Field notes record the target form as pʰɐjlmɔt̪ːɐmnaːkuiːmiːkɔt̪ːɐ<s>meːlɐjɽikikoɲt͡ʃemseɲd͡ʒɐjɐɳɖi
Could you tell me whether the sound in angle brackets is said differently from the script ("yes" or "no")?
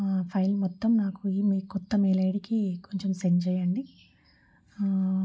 yes